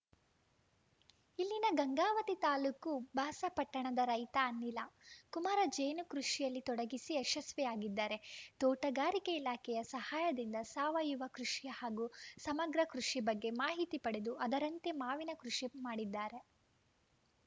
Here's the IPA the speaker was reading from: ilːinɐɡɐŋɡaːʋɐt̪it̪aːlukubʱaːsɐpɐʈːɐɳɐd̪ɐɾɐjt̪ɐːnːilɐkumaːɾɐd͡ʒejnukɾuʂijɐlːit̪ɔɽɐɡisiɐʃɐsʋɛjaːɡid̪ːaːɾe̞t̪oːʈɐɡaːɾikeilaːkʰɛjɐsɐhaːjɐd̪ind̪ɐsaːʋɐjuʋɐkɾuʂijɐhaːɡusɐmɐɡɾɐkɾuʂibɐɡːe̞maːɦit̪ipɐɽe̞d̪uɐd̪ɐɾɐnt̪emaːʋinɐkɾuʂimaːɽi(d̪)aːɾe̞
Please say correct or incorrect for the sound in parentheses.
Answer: incorrect: d̪ː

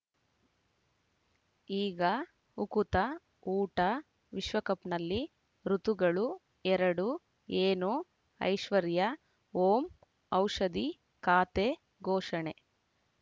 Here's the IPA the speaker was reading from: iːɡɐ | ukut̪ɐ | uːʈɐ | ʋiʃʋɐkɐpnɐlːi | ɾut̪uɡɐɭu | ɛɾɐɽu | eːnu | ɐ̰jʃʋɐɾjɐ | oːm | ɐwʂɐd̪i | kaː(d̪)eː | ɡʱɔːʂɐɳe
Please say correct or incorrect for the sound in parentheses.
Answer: incorrect: t̪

